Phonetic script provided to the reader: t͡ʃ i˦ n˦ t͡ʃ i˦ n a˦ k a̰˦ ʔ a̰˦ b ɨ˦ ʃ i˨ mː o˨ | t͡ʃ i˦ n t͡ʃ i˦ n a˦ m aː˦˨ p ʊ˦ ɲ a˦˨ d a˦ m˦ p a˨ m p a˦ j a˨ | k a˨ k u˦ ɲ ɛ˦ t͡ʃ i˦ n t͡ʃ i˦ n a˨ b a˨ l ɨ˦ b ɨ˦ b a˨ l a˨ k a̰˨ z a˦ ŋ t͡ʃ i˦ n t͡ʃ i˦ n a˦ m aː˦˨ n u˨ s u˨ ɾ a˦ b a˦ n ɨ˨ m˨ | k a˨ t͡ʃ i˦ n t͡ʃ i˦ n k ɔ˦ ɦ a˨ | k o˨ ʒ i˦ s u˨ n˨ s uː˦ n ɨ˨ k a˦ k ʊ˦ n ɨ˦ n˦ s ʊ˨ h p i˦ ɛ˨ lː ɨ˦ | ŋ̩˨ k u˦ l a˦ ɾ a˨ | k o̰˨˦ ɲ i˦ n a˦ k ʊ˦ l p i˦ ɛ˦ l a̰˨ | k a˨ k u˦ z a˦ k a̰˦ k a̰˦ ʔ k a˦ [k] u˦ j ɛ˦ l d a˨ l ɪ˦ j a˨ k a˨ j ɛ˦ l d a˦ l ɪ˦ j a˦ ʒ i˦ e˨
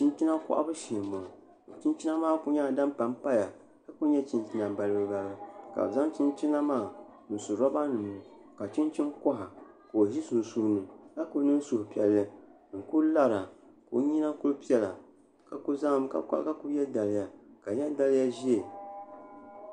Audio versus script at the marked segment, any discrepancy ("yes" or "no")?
no